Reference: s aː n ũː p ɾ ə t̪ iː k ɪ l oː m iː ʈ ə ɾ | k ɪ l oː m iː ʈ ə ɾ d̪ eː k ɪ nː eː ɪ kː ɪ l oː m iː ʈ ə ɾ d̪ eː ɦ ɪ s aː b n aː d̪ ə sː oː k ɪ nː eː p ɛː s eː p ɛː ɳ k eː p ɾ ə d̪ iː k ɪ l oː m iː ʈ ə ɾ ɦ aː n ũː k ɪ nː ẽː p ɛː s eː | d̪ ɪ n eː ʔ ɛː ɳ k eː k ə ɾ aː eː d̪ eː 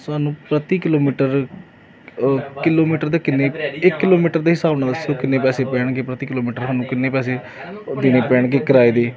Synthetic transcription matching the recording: s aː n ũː p ɾ ə t̪ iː k ɪ l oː m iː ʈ ə ɾ | k ɪ l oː m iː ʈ ə ɾ d̪ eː k ɪ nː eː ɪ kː ɪ l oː m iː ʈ ə ɾ d̪ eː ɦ ɪ s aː b n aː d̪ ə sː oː k ɪ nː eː p ɛː s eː p ɛː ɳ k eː p ɾ ə t̪ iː k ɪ l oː m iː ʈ ə ɾ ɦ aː n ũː k ɪ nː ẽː p ɛː s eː | d̪ ɪ n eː p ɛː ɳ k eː k ə ɾ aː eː d̪ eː